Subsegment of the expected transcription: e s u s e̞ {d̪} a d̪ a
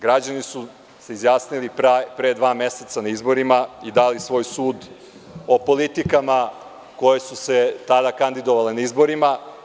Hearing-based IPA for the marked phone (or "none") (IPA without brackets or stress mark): t̪